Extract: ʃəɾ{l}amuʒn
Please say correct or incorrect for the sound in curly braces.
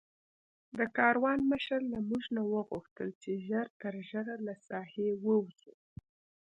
correct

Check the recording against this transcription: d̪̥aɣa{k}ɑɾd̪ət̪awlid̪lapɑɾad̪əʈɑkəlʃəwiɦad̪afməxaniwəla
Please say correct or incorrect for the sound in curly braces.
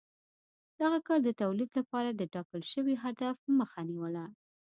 correct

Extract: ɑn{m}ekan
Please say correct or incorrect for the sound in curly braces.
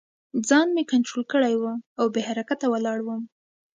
correct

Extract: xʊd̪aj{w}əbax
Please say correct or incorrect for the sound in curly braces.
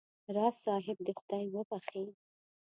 correct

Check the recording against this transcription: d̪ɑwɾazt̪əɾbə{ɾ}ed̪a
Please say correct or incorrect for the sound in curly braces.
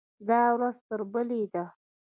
incorrect: l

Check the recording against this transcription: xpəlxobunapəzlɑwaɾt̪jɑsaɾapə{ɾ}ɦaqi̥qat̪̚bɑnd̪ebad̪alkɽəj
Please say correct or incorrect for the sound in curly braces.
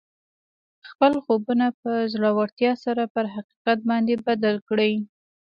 correct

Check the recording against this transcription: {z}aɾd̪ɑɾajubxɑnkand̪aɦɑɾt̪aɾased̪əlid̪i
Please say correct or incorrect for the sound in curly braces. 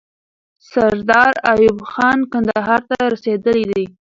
incorrect: s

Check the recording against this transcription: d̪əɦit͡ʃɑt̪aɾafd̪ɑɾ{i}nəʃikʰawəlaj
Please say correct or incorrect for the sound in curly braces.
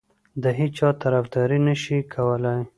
correct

